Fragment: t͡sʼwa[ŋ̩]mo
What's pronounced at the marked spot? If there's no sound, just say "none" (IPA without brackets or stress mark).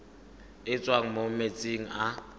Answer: ŋ̩